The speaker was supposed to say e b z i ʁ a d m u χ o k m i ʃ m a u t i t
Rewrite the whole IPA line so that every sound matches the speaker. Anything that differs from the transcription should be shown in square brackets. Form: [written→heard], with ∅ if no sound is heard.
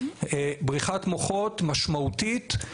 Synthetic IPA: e b [z→ʁ] i [ʁ→χ] a [d→t] m [u→o] χ o [k→t] m [i→a] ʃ m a u t i t